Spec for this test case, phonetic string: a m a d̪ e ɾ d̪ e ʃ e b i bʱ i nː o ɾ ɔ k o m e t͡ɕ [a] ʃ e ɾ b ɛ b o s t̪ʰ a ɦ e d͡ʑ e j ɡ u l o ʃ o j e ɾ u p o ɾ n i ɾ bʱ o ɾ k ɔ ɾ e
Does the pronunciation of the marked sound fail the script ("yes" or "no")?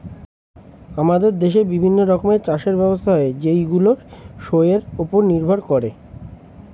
no